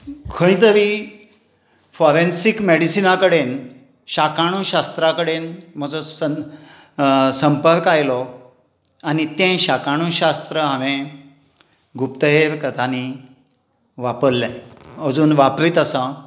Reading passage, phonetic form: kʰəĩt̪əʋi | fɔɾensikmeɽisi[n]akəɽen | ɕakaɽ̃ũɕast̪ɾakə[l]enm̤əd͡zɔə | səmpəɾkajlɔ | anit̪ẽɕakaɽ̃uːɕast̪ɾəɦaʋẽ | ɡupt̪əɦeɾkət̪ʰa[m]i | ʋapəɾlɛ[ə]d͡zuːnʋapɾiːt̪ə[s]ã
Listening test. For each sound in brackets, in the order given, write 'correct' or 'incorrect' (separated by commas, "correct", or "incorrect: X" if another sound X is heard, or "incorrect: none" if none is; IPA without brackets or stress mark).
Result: correct, incorrect: ɽ, incorrect: n, correct, correct